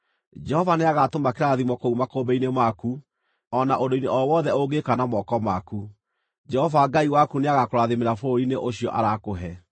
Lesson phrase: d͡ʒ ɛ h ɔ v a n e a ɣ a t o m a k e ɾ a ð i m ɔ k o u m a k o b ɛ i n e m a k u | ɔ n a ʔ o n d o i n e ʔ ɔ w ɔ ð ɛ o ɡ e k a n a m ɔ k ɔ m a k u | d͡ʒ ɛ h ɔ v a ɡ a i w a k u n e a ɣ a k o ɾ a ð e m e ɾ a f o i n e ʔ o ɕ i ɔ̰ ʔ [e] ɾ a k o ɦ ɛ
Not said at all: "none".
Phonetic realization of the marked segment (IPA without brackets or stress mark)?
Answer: a